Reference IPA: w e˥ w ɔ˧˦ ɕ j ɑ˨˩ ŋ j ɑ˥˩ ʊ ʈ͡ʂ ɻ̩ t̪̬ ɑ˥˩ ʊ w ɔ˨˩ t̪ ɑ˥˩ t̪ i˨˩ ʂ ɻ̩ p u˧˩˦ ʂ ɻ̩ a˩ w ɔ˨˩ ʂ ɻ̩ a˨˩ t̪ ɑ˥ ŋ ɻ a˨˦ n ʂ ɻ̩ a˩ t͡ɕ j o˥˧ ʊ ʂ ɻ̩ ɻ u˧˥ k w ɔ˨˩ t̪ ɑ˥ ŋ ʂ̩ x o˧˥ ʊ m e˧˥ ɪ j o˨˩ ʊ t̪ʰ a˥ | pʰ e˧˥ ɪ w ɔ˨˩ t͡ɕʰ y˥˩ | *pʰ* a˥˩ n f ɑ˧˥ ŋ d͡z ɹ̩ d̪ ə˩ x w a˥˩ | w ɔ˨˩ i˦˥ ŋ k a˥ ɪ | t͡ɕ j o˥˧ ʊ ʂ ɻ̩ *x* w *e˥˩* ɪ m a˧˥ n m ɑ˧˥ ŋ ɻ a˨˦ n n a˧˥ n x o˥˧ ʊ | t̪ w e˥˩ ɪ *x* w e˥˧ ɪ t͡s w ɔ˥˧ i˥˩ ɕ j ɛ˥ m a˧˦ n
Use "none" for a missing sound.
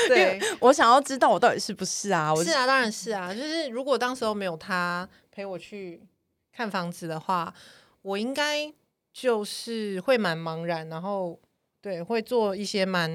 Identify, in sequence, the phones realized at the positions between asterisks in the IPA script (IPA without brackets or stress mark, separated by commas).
kʰ, x, e˥˩, x